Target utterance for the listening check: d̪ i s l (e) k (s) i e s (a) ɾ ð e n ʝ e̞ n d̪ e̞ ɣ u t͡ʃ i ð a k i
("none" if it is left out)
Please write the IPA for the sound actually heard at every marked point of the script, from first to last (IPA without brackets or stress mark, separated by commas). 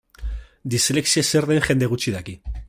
e, s, e